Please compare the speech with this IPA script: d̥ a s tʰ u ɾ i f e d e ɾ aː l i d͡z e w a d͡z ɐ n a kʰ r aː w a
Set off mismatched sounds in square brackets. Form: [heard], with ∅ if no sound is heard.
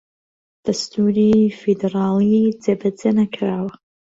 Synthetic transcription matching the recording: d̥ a s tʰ u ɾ i f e d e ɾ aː l i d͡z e [b] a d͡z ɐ n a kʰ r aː w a